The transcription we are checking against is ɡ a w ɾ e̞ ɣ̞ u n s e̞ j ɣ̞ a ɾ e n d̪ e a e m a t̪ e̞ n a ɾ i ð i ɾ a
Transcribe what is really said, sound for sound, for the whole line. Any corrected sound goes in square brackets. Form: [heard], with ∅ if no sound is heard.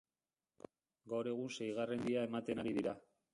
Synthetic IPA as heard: ɡ a w ɾ e̞ ɣ̞ u n s e̞ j ɣ̞ a [r] e n d̪ [i] a e m a t̪ e̞ n a ɾ i ð i ɾ a

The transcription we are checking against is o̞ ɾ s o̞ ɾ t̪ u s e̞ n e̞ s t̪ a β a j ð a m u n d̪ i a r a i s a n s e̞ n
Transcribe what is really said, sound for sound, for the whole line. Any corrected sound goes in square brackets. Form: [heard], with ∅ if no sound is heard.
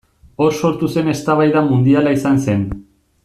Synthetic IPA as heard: o̞ ɾ s o̞ ɾ t̪ u s e̞ n e̞ s t̪ a β a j ð a m u n d̪ i a [l] a i s a n s e̞ n

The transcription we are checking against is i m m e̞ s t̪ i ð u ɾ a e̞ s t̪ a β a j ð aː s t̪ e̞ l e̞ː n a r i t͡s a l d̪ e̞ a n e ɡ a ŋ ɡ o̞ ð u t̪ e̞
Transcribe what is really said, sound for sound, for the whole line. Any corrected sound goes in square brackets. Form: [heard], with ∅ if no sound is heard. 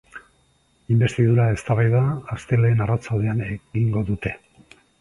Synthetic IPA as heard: i m [b] e̞ s t̪ i ð u ɾ a e̞ s t̪ a β a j ð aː s t̪ e̞ l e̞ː n a r [a] t͡s a l d̪ e̞ a n e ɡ [i] ŋ ɡ o̞ ð u t̪ e̞

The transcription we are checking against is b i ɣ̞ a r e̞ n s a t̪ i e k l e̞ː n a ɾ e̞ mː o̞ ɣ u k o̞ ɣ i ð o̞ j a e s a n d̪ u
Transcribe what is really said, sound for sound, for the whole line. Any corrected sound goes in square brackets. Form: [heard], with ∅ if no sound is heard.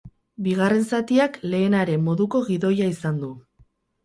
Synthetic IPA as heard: b i ɣ̞ a r e̞ n s a t̪ i [a] k l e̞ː n a ɾ e̞ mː o̞ [ð] u k o̞ ɣ i ð o̞ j a [i] s a n d̪ u

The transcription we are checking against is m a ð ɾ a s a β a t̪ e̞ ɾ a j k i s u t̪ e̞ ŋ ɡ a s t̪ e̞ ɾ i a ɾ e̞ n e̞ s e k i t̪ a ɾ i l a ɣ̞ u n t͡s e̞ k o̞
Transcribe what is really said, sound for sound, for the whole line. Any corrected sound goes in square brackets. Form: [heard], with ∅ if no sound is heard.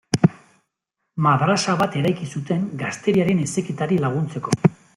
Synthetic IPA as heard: m a ð ɾ a s a β a t̪ e̞ ɾ a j k i s u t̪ e̞ ŋ ɡ a s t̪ e̞ ɾ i a ɾ e̞ n e̞ s e k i t̪ a ɾ i l a ɣ̞ u n t͡s e̞ k o̞

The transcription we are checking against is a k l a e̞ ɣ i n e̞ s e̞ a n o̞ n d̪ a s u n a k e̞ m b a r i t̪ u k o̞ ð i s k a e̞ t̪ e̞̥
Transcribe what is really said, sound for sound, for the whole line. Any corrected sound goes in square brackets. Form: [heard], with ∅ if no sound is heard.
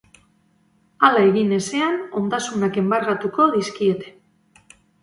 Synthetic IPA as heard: a [∅] l a e̞ ɣ i n e̞ s e̞ a n o̞ n d̪ a s u n a k e̞ m b a r [a] t̪ u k o̞ ð i s k [i] e̞ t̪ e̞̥

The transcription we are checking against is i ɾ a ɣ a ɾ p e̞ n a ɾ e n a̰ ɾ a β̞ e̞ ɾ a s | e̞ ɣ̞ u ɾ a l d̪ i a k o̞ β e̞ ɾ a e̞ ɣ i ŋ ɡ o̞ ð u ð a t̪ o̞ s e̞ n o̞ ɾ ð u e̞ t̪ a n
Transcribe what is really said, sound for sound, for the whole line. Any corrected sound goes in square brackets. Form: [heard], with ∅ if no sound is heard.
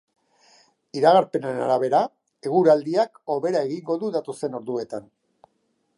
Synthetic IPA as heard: i ɾ a ɣ a ɾ p e̞ n a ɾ e n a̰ ɾ a β̞ e̞ ɾ a [∅] | e̞ ɣ̞ u ɾ a l d̪ i a k o̞ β e̞ ɾ a e̞ ɣ i ŋ ɡ o̞ ð u ð a t̪ o̞ s e̞ n o̞ ɾ ð u e̞ t̪ a n

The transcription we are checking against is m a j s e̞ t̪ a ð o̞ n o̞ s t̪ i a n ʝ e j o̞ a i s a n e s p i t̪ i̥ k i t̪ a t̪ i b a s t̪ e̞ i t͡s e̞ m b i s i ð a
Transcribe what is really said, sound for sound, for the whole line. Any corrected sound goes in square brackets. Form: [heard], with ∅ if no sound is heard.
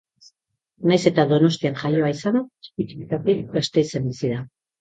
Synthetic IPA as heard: [n] a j s e̞ t̪ a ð o̞ n o̞ s t̪ i a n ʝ [a] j o̞ a i s a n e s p i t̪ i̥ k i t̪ a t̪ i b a s t̪ e̞ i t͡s e̞ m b i s i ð a

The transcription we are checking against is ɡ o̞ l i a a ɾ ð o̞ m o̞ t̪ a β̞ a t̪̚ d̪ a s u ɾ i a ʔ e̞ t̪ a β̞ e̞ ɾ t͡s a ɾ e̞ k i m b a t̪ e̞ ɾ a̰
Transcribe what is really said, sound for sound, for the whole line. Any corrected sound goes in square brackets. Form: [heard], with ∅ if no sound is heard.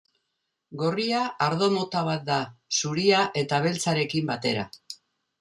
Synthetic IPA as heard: ɡ o̞ [r] i a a ɾ ð o̞ m o̞ t̪ a β̞ a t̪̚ d̪ a s u ɾ i a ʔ e̞ t̪ a β̞ e̞ [l] t͡s a ɾ e̞ k i m b a t̪ e̞ ɾ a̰

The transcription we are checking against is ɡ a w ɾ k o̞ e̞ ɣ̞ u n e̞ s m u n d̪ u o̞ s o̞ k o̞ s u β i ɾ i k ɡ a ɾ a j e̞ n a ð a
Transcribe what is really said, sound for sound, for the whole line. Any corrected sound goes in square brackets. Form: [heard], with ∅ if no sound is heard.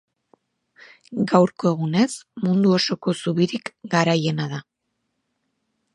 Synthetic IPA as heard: ɡ a w ɾ k o̞ e̞ ɣ̞ u n e̞ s m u n d̪ u o̞ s o̞ k o̞ s u β i ɾ i k ɡ a ɾ a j e̞ n a ð a

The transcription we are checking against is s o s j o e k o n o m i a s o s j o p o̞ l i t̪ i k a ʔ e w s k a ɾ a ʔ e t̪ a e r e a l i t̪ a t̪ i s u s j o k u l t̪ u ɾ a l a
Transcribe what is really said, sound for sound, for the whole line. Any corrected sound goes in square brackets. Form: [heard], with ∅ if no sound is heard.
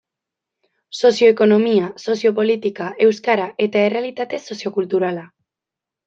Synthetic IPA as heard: s o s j o e k o n o m i a s o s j o p o̞ l i t̪ i k a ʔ e w s k a ɾ a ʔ e t̪ a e r e a l i t̪ a t̪ [e] s [o] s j o k u l t̪ u ɾ a l a

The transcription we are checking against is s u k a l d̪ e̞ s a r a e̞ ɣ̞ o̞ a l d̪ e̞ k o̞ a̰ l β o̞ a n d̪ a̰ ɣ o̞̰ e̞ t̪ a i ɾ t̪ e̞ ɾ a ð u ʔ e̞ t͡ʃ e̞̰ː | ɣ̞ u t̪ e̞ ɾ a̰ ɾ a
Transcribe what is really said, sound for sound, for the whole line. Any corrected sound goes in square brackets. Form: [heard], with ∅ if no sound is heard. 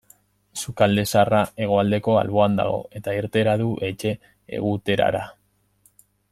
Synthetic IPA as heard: s u k a l d̪ e̞ s a r a e̞ ɣ̞ o̞ a l d̪ e̞ k o̞ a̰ l β o̞ a n d̪ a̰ ɣ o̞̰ e̞ t̪ a i ɾ t̪ e̞ ɾ a ð u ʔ e̞ t͡ʃ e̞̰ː | ɣ̞ u t̪ e̞ ɾ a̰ ɾ a

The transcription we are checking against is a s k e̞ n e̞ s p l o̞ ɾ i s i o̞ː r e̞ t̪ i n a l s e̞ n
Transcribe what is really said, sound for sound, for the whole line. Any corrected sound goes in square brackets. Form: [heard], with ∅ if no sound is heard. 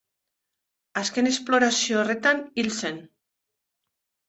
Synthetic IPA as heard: a s k e̞ n e̞ s p l o̞ ɾ [a] s i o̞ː r e̞ t̪ [a] n [i] l s e̞ n

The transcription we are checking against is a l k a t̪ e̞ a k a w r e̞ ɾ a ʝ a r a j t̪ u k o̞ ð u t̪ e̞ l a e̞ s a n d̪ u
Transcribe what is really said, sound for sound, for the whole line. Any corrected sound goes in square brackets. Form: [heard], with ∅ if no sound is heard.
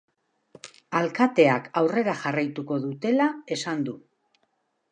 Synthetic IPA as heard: a l k a t̪ e̞ a k a w r e̞ ɾ a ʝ a r a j t̪ u k o̞ ð u t̪ e̞ l a e̞ s a n d̪ u

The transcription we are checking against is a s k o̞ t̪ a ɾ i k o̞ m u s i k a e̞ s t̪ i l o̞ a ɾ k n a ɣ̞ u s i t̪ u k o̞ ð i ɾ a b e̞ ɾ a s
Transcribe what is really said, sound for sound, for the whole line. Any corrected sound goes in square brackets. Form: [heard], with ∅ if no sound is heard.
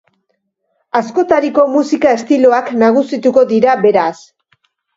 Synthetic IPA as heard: a s k o̞ t̪ a ɾ i k o̞ m u s i k a e̞ s t̪ i l o̞ a [∅] k n a ɣ̞ u s i t̪ u k o̞ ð i ɾ a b e̞ ɾ a s

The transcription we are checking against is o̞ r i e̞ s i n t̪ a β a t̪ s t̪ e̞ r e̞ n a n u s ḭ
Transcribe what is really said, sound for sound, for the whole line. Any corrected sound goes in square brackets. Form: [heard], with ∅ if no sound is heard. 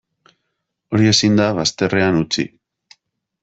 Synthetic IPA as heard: o̞ [ɾ] i e̞ s i n [d̪] a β a [∅] s t̪ e̞ r e̞ [∅] a n u [t͡s] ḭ

